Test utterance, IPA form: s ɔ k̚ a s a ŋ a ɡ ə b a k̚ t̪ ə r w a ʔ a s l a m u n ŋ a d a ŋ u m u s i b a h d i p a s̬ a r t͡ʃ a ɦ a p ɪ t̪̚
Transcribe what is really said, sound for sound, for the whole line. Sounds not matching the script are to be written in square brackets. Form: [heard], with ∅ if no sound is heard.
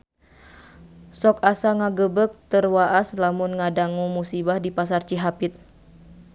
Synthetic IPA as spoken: s ɔ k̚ a s a ŋ a ɡ ə b [ə] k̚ t̪ ə r w a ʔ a s l a m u n ŋ a d a ŋ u m u s i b a h d i p a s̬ a r t͡ʃ [i] ɦ a p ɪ t̪̚

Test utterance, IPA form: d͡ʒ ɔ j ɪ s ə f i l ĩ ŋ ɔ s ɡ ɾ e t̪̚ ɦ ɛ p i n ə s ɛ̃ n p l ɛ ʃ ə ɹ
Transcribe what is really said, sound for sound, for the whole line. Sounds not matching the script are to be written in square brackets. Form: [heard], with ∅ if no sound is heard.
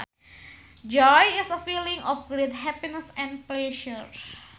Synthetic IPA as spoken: d͡ʒ ɔ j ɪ s ə f i l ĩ ŋ ɔ [f] ɡ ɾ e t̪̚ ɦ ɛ p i n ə s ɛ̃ n p l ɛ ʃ ə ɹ

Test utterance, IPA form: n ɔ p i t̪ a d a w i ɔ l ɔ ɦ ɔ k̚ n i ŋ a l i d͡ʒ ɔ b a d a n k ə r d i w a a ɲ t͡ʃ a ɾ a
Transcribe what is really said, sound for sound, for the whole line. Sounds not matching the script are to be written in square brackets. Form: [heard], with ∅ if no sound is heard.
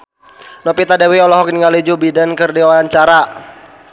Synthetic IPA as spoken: n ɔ p i t̪ a d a w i ɔ l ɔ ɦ ɔ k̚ n i ŋ a l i d͡ʒ [u] b [i] d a n k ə r d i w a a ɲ t͡ʃ a ɾ a

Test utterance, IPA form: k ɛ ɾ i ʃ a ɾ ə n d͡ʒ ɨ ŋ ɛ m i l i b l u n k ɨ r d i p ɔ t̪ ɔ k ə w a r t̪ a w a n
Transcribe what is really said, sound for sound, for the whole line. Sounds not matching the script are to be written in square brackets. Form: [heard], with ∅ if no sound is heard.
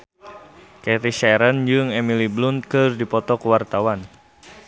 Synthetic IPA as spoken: k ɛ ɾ i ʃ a ɾ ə n d͡ʒ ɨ ŋ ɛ m i l i b l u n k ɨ r d i p ɔ t̪ ɔ k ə w a r t̪ a w a n

